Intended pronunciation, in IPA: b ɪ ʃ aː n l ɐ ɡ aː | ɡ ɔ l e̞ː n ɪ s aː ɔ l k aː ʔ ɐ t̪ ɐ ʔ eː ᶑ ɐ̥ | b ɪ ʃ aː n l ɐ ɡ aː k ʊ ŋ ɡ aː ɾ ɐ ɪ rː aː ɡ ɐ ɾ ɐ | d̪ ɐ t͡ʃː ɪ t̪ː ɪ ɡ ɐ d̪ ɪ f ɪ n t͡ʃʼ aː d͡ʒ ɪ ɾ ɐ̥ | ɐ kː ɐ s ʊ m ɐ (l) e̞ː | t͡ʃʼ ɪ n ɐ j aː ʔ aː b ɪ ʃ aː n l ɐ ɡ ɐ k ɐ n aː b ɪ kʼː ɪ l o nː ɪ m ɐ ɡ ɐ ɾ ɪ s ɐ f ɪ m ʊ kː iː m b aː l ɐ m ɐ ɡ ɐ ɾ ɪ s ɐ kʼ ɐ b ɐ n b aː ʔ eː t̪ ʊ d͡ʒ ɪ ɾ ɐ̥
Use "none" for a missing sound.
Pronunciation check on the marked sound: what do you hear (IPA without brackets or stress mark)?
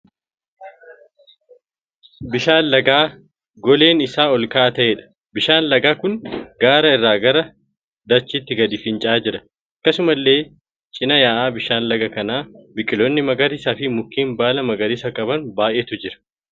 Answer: lː